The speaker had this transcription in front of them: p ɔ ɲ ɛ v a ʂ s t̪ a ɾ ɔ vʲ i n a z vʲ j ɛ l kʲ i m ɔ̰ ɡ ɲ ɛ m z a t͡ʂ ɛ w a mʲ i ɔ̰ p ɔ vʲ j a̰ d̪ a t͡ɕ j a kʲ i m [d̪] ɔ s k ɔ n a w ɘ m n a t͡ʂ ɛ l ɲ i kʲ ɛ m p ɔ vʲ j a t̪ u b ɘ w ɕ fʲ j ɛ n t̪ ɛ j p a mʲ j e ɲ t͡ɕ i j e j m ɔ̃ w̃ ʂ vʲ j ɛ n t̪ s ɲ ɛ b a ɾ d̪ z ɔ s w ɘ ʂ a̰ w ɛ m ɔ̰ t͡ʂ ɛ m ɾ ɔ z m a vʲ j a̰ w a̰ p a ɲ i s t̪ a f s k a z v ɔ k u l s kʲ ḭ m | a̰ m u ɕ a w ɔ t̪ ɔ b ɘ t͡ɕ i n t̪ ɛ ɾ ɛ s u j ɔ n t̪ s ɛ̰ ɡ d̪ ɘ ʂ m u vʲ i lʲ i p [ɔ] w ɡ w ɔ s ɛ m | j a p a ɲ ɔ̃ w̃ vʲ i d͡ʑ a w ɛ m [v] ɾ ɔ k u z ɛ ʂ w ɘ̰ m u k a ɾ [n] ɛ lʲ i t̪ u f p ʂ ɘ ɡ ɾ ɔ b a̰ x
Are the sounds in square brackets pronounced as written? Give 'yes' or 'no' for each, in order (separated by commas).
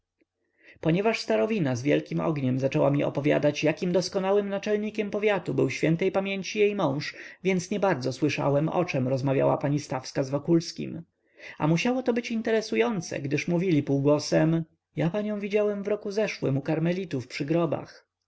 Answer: yes, no, yes, no